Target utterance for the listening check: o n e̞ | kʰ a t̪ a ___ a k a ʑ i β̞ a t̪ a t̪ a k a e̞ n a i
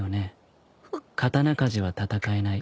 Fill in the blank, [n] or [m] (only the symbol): n